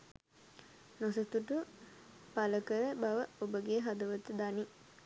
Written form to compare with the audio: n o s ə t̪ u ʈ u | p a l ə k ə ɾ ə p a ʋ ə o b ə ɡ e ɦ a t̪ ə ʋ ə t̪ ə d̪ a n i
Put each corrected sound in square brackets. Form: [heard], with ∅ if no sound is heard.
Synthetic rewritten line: n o s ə t̪ u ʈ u | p a l ə k ə ɾ ə [b] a ʋ ə o b ə ɡ e ɦ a [d̪] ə ʋ ə t̪ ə d̪ a n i

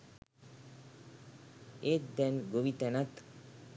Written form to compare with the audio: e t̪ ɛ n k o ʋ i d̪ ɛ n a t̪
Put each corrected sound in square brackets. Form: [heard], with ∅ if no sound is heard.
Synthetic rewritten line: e [d̪] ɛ n [ɡ] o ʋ i [t̪] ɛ n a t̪

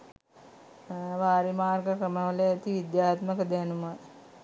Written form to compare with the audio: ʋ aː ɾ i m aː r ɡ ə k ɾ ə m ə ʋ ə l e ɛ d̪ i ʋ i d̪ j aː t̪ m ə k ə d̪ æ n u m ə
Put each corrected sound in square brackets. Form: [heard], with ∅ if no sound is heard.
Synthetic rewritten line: ʋ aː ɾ i m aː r ɡ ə k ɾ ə m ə ʋ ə l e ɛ [t̪] i ʋ i d̪ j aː t̪ m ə k ə d̪ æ n u m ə

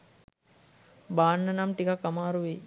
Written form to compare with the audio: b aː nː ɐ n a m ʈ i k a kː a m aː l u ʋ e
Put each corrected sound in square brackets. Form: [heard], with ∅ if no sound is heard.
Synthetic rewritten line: b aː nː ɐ n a m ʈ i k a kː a m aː [ɾ] u ʋ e

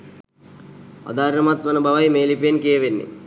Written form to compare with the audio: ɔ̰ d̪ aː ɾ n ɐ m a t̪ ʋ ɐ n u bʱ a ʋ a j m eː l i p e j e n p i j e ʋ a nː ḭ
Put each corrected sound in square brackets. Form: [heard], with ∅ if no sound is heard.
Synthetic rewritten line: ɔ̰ d̪ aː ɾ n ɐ m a t̪ ʋ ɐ n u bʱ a ʋ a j m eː l i p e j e n [k] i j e ʋ [e] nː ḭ

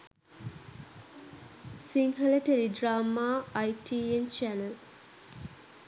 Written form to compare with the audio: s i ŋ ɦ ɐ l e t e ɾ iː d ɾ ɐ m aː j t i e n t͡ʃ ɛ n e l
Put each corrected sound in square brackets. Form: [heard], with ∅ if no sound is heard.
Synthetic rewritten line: s i ŋ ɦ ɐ l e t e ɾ [i] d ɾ [a] m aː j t i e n t͡ʃ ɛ n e l

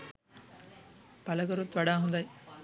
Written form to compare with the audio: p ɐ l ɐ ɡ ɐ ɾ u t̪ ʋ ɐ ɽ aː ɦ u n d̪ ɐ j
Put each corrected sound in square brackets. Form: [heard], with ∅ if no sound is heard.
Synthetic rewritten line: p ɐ l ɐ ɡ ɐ ɾ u t̪ ʋ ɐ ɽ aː ɦ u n d̪ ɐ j

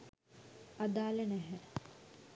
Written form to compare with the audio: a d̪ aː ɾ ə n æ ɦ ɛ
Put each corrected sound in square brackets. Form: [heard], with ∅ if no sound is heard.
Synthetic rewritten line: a d̪ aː [l] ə n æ ɦ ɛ

